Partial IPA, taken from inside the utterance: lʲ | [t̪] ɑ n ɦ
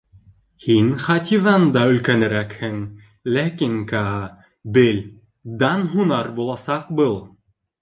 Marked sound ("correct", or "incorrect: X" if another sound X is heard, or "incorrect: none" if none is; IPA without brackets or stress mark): incorrect: d̪